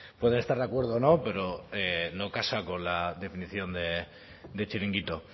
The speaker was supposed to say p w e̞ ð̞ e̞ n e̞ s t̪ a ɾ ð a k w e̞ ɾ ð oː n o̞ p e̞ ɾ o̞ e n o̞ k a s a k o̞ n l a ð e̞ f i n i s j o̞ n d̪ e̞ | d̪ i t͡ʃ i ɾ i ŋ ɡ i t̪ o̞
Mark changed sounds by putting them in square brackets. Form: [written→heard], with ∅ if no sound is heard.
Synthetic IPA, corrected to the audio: p w e̞ ð̞ e̞ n e̞ s t̪ a ɾ ð a k w e̞ ɾ ð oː n o̞ p e̞ ɾ o̞ e n o̞ k a s a k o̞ n l a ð e̞ f i n i [s→θ] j o̞ n d̪ e̞ | d̪ [i→e] t͡ʃ i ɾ i ŋ ɡ i t̪ o̞